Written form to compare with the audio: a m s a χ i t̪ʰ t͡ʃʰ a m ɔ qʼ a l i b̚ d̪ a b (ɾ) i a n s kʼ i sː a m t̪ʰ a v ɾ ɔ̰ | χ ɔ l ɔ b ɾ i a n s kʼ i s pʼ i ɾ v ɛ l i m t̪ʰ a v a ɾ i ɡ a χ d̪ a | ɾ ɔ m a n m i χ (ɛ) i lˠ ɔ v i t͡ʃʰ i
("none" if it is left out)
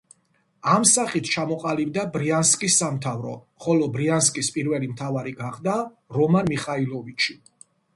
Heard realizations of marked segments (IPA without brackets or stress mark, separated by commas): ɾ, a